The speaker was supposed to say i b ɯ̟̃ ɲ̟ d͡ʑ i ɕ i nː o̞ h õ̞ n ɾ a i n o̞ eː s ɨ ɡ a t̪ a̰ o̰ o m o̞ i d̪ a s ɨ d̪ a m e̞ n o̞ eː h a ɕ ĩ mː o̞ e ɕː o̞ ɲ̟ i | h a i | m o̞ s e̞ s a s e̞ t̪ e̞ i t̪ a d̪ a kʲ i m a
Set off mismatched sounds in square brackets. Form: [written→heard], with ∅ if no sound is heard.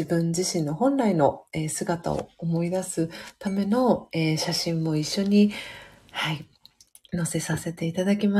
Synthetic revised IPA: i b ɯ̟̃ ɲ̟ d͡ʑ i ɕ [i→ĩ] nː o̞ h õ̞ n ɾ a i n o̞ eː s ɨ ɡ a t̪ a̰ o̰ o m o̞ i d̪ a s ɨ [d̪→t̪] a m e̞ n o̞ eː [h→ɕ] a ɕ ĩ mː o̞ [e→i] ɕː o̞ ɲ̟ i | h a i | [m→n] o̞ s e̞ s a s e̞ t̪ e̞ i t̪ a d̪ a kʲ i m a